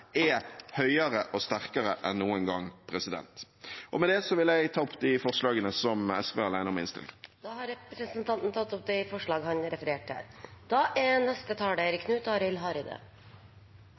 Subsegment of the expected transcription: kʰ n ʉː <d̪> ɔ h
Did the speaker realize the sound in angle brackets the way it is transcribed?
no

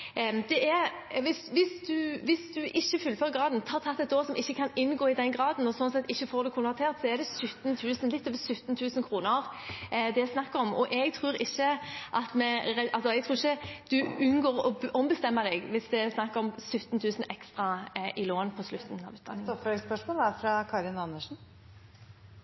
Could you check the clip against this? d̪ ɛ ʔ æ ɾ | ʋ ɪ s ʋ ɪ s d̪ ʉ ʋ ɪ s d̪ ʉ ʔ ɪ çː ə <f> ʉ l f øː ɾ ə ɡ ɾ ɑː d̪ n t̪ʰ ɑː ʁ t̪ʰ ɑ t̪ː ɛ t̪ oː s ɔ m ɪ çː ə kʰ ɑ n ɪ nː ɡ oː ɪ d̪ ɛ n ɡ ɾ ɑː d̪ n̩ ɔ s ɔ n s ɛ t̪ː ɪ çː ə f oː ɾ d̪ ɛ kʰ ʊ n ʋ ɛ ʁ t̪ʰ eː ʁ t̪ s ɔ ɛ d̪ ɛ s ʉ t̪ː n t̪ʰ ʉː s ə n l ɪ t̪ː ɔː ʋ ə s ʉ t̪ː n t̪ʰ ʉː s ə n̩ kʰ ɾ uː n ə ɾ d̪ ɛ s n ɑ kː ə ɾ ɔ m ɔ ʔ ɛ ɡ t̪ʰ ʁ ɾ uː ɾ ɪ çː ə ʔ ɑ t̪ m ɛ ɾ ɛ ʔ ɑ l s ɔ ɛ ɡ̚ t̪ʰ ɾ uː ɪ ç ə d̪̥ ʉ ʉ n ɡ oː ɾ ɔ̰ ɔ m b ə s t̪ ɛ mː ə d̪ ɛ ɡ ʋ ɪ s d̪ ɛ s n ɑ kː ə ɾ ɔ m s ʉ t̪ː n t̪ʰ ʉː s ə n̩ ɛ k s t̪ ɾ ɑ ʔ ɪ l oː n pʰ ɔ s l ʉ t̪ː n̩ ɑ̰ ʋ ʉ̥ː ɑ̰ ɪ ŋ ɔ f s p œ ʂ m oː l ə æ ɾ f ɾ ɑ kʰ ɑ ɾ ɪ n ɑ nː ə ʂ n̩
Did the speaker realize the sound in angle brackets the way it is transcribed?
yes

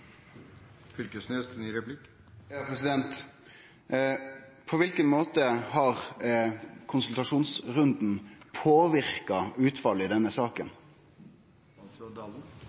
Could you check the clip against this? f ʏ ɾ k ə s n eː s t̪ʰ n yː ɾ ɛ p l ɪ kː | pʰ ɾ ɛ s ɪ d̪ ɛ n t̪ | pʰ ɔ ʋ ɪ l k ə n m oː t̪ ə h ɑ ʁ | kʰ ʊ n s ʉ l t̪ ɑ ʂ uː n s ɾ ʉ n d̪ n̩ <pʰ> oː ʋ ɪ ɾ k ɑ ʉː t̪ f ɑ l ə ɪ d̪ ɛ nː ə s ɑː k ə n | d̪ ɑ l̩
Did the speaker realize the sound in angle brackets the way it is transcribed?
yes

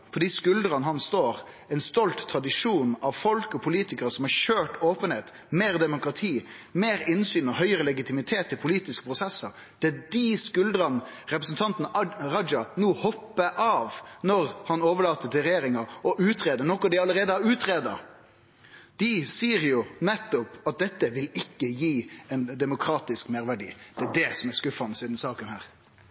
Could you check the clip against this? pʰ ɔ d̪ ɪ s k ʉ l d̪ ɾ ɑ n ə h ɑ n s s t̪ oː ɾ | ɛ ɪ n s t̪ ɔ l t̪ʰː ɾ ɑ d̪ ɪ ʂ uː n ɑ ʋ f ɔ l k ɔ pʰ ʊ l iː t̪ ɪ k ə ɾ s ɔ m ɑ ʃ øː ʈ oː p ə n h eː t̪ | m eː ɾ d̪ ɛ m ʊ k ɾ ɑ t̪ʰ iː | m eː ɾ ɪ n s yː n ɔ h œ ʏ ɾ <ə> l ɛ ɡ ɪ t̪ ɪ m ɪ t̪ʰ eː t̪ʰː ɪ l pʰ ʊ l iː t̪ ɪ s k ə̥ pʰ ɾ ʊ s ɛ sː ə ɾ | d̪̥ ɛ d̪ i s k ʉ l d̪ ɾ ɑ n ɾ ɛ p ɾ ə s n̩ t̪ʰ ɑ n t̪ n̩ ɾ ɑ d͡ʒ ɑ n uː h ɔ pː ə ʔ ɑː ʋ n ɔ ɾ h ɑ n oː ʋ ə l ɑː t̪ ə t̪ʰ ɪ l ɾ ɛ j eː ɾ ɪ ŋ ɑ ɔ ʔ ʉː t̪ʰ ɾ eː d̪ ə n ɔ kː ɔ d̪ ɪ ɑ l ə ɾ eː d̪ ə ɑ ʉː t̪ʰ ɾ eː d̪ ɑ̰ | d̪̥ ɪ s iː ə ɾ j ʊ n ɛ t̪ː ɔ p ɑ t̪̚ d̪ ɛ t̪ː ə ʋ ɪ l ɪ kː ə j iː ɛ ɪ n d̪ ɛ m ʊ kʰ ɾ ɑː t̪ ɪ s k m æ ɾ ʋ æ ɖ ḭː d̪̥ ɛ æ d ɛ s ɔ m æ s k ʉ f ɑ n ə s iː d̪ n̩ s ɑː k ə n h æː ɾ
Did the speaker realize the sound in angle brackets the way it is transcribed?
yes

